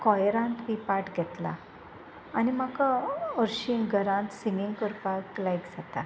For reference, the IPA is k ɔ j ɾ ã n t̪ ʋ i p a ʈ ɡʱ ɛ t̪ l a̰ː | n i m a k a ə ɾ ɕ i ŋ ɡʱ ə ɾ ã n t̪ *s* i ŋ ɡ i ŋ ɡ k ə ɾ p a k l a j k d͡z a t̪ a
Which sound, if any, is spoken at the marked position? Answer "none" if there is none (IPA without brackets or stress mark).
s